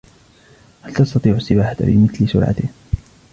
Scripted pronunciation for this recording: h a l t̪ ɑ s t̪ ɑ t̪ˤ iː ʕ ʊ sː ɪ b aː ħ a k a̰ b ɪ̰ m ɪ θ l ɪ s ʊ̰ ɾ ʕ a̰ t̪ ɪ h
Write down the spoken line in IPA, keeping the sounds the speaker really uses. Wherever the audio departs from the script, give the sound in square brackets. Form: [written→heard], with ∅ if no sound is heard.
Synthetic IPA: h a l t̪ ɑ s t̪ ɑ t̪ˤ iː ʕ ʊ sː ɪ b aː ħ a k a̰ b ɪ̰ m ɪ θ l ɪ s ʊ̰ ɾ ʕ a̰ t̪ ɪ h